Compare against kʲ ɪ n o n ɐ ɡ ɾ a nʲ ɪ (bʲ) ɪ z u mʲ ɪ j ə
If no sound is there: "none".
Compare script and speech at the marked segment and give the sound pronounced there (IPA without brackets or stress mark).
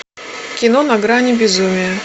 bʲ